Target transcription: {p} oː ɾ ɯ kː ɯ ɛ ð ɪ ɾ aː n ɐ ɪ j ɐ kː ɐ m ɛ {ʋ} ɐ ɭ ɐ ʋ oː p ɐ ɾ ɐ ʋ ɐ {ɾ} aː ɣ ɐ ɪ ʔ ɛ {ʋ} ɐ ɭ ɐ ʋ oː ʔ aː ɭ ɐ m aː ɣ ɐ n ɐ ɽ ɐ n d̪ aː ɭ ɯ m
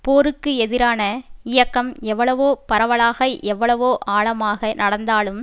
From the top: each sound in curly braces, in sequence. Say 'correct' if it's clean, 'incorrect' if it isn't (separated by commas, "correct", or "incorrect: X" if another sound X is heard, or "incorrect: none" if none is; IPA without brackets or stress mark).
correct, incorrect: ʋː, incorrect: ɭ, incorrect: ʋː